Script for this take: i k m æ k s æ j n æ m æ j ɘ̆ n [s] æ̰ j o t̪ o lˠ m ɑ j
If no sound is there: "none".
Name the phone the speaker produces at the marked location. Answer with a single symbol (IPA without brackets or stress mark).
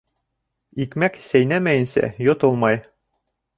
s